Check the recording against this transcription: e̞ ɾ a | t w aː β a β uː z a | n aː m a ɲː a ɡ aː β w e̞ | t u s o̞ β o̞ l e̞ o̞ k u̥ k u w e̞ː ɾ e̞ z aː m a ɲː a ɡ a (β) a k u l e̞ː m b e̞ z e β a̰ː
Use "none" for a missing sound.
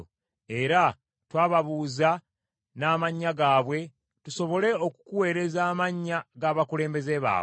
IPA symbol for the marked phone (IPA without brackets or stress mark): β